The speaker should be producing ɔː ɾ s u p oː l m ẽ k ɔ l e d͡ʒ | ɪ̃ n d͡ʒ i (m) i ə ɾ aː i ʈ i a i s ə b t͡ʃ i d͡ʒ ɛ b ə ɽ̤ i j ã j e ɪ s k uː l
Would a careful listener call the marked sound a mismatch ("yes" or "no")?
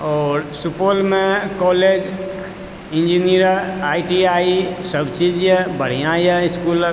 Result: yes